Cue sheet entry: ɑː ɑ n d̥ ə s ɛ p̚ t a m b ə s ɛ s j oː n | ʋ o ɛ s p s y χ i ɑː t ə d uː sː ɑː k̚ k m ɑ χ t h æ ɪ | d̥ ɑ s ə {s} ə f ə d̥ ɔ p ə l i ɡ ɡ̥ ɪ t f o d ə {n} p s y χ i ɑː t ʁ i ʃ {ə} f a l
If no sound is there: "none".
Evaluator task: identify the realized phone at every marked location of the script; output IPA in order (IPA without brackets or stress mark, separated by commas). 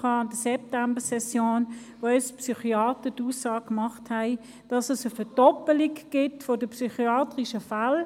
s, none, ə